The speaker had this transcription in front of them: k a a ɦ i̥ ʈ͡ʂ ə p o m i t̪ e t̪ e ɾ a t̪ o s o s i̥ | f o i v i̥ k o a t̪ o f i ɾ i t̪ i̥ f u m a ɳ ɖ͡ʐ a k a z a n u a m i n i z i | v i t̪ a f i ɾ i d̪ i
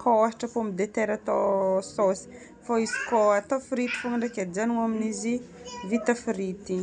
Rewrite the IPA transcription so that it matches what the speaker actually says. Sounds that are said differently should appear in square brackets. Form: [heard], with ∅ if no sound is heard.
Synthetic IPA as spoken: k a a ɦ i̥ ʈ͡ʂ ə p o m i [d̪] e t̪ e ɾ a t̪ o s o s i̥ | f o i [z] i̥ k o a t̪ o f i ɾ i t̪ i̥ f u [ŋ] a ɳ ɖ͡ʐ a k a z a n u a m i n i z i | v i t̪ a f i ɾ i [t̪] i